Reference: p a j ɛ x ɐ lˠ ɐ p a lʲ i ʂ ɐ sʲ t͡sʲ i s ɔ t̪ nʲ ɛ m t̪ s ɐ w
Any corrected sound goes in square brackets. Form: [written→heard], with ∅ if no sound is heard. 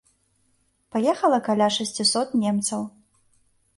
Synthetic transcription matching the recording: p a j ɛ x ɐ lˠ ɐ [p→k] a lʲ [i→a] ʂ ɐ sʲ t͡sʲ i s ɔ t̪ nʲ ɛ m t̪ s ɐ w